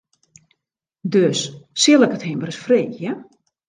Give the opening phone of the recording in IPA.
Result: d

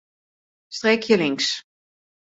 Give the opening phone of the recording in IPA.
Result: s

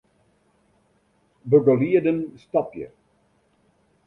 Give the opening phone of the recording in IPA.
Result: b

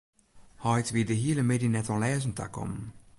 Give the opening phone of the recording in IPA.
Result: h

